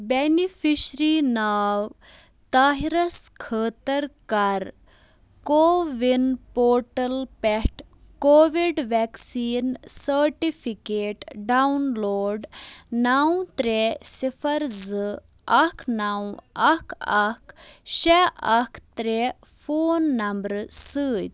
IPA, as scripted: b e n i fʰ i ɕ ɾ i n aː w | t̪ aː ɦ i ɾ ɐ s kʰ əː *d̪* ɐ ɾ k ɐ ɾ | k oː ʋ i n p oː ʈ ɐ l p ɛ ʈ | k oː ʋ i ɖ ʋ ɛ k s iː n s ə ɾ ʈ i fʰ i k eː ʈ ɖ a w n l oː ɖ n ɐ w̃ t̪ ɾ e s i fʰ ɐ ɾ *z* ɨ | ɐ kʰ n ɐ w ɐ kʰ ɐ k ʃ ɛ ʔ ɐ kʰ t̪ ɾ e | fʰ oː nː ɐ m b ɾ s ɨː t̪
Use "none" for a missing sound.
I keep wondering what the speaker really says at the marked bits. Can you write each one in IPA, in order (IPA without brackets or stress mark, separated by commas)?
t̪, z